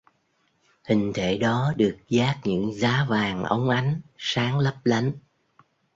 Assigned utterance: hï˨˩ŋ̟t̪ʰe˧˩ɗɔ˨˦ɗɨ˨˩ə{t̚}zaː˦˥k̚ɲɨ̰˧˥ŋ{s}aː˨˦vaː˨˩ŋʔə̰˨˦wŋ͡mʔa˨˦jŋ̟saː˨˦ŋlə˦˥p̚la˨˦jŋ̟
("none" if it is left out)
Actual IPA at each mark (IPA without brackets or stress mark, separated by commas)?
k̚, z